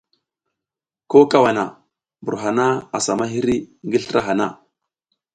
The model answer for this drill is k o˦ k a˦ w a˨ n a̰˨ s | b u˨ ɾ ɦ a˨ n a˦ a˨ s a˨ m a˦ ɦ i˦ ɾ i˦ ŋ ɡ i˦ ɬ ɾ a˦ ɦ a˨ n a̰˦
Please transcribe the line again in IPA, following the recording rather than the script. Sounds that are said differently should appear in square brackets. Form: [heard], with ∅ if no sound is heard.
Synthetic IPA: k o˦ k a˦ w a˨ n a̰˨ [∅] | b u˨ ɾ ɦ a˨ n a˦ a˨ s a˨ m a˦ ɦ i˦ ɾ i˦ ŋ ɡ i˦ ɬ ɾ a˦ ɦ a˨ n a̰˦